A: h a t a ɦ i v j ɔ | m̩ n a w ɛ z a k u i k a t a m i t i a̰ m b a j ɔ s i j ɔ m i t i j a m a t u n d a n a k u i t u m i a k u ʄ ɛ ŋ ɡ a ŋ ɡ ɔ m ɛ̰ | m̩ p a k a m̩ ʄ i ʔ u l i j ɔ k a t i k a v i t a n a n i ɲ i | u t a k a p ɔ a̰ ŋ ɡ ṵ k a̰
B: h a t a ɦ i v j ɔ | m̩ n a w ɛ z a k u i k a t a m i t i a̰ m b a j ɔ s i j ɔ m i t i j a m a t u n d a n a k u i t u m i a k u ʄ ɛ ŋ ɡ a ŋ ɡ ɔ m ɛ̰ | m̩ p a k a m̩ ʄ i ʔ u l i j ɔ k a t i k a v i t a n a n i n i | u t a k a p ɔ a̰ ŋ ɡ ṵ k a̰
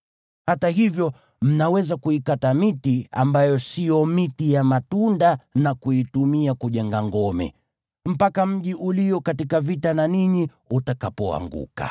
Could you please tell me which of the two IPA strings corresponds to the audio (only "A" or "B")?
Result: A